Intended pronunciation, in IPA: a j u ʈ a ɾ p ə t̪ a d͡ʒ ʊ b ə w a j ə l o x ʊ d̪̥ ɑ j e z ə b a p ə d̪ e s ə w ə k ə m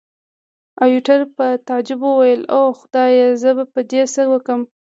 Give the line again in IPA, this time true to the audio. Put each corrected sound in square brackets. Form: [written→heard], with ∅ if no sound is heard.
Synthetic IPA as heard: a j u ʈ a ɾ p ə t̪ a d͡ʒ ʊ b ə w a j ə l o x ʊ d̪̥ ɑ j e z ə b a p ə d̪ e s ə w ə k ə m

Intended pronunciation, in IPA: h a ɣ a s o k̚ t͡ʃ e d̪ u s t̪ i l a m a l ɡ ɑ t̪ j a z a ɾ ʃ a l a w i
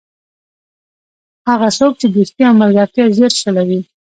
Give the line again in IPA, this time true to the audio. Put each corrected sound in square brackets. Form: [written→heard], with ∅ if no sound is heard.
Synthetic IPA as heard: h a ɣ a s o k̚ t͡ʃ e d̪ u s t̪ i [l→∅] a m a l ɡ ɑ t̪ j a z [a→e] ɾ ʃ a l a w i

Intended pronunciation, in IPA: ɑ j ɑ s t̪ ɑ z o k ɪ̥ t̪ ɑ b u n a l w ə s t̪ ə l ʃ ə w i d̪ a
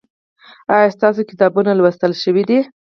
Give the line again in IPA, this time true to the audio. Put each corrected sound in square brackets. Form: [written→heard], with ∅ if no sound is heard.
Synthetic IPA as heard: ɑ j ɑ s t̪ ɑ [z→s] o k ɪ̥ t̪ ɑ b u n a l w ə s t̪ ə l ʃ ə w i d̪ [a→i]

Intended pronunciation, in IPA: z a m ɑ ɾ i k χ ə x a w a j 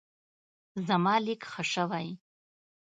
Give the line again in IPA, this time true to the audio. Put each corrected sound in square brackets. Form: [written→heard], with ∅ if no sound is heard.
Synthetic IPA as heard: z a m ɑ [ɾ→l] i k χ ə [x→ʂ] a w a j

